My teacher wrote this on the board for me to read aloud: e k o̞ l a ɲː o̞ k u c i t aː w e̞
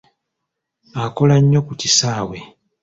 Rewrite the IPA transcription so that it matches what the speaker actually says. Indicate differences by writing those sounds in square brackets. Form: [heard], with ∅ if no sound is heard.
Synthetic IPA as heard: [a] k o̞ l a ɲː o̞ k u c i [s] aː w e̞

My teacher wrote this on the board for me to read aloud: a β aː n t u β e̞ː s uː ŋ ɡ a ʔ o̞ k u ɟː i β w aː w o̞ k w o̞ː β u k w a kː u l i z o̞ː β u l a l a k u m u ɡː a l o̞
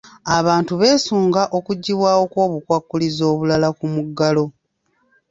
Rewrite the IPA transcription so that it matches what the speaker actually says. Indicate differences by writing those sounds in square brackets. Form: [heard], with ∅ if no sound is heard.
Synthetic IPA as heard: a β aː n t u β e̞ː s uː ŋ ɡ a ʔ o̞ k u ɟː i β w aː w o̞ k w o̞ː β u k w a kː u l i z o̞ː β u l a l a k u m u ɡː a l o̞

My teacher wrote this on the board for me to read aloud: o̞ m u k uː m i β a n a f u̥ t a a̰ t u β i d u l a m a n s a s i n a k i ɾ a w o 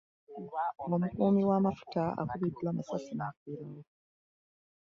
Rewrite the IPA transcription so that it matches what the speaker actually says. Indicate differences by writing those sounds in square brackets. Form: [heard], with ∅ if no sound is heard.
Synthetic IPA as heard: o̞ m u k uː m i [w] a [m] a f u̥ t a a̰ [k] u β i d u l a m a [∅] s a s i n a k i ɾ a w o

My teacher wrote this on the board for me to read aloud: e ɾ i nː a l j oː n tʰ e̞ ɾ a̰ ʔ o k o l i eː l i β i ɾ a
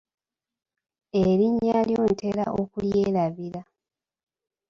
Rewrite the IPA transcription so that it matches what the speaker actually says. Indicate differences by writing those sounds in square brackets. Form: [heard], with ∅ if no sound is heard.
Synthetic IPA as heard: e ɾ i [ɲː] a l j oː n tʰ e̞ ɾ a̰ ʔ o k [u] l [j] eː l [a] β i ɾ a

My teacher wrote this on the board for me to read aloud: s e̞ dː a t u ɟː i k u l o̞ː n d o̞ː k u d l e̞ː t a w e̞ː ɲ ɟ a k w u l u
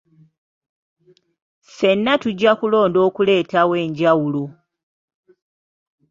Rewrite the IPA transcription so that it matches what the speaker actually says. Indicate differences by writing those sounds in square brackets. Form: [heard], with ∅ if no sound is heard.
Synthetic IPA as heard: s e̞ [nː] a t u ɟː [a] k u l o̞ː n d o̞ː k u [∅] l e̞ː t a w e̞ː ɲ ɟ a [∅] w u l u

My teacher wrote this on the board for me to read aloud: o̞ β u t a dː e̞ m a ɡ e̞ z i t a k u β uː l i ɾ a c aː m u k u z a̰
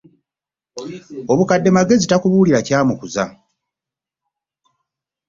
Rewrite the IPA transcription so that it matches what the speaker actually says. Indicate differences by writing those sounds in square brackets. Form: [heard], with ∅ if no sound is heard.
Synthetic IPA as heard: o̞ β u [k] a dː e̞ m a ɡ e̞ z i t a k u β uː l i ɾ a c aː m u k u z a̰

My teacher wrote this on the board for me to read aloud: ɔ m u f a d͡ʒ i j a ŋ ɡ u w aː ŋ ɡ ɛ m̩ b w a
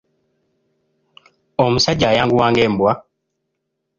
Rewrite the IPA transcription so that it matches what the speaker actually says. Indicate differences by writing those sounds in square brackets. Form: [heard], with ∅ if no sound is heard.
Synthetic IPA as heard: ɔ m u [s] a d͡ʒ [a] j a ŋ ɡ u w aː ŋ ɡ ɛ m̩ b w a

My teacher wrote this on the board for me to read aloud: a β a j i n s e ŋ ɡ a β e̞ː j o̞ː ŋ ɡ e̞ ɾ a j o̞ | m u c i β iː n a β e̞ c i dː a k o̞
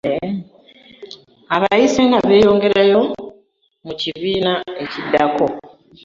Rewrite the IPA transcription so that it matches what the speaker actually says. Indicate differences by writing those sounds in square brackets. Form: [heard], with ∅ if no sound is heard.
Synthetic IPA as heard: a β a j i [∅] s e ŋ ɡ a β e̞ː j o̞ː ŋ ɡ e̞ ɾ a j o̞ | m u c i β iː n a [∅] e̞ c i dː a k o̞

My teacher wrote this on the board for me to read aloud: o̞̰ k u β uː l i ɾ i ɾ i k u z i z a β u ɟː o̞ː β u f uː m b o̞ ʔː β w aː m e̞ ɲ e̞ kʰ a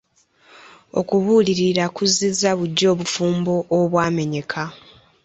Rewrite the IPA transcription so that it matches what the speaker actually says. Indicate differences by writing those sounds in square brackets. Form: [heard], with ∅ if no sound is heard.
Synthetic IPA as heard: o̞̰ k u β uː l i ɾ i ɾ [a] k u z i z a β u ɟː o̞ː β u f uː m b o̞ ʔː β w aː m e̞ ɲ e̞ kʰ a

